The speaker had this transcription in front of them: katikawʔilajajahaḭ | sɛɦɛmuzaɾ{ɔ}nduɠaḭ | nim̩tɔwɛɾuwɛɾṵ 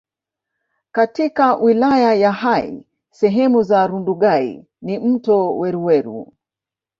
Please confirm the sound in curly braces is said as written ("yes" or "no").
no